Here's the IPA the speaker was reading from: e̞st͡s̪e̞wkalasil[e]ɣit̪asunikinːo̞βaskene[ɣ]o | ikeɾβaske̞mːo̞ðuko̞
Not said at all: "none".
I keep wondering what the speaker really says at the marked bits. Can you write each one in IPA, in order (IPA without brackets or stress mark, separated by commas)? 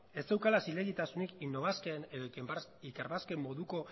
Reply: e, ð